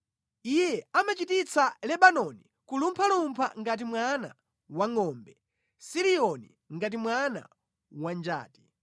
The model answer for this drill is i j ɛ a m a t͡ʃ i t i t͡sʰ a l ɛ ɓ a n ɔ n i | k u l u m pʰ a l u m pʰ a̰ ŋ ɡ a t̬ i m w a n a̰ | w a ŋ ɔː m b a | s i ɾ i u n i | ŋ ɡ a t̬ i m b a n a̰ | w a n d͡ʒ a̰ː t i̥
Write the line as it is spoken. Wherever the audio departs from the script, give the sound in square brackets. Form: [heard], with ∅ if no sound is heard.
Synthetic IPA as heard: i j ɛ a m a t͡ʃ i t i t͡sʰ a l ɛ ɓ a n ɔ n i | k u l u m pʰ a l u m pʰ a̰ ŋ ɡ a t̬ i m w a n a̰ | w a ŋ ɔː m b [ɛ] | s i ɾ i [ɔ] n i | ŋ ɡ a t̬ i m [w] a n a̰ | w a n d͡ʒ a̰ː t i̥